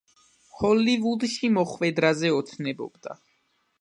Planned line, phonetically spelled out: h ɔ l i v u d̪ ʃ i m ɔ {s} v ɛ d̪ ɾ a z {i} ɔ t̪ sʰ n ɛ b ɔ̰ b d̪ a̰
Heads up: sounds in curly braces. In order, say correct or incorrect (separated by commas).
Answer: incorrect, incorrect